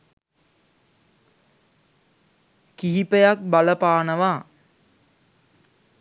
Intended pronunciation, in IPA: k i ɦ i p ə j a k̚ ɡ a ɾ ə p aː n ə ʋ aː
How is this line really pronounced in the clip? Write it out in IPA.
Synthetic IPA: k i ɦ i p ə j a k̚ b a l ə p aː n ə ʋ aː